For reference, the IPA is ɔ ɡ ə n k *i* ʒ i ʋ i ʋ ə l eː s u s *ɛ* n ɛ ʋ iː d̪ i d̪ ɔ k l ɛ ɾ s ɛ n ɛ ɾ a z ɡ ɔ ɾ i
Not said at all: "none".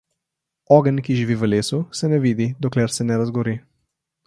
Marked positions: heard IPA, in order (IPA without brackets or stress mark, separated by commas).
i, ɛ